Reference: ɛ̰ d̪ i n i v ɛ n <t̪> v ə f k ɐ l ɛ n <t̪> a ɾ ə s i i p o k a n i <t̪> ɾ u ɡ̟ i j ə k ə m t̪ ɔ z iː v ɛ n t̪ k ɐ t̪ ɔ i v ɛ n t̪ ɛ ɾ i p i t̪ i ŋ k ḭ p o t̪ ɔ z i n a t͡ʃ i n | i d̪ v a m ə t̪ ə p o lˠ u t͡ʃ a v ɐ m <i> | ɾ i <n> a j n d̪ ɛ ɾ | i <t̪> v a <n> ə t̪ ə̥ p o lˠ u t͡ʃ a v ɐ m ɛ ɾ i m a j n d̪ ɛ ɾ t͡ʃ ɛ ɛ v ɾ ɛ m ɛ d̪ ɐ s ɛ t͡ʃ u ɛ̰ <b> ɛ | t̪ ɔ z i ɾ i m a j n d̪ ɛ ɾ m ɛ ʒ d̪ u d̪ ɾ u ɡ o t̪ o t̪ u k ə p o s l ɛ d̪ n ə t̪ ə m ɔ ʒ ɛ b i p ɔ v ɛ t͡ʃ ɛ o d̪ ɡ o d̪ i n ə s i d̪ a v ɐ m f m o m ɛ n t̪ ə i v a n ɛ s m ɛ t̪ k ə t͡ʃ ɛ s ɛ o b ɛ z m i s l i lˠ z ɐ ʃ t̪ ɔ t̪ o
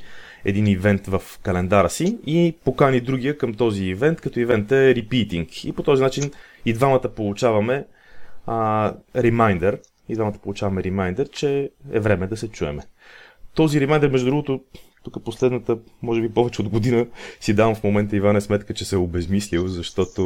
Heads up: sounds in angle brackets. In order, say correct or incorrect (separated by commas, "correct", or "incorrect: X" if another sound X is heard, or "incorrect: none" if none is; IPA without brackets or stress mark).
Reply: correct, incorrect: d̪, incorrect: d̪, incorrect: ɛ, incorrect: m, incorrect: d̪, incorrect: m, incorrect: m